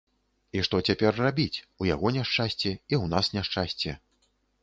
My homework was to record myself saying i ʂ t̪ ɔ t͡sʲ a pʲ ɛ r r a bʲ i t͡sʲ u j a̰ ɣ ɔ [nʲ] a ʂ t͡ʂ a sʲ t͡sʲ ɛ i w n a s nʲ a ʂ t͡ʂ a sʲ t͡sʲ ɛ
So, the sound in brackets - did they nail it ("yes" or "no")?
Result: yes